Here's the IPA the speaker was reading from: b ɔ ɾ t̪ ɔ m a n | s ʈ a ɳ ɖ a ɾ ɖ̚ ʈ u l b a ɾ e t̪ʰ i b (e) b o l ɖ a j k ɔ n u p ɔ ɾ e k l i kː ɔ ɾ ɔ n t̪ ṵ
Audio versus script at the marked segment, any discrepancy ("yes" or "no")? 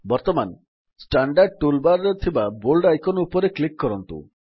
yes